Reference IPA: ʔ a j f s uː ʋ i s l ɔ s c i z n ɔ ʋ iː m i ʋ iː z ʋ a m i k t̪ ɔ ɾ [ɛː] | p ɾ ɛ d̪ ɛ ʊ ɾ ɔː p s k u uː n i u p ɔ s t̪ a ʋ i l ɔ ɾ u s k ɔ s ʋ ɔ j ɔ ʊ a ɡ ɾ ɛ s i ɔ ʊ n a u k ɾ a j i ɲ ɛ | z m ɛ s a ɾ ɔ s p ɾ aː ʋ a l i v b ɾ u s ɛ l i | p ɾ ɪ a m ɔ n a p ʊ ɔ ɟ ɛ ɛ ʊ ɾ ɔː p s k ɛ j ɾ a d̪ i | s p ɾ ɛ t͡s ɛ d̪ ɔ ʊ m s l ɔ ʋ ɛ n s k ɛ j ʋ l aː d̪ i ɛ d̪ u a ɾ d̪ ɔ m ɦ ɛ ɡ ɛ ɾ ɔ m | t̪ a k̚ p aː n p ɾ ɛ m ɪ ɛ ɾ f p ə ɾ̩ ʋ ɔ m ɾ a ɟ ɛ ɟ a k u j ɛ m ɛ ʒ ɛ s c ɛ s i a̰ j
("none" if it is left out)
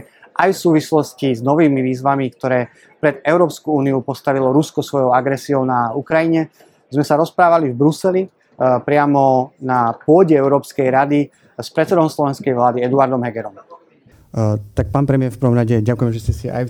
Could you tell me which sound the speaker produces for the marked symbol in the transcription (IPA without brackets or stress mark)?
ɛː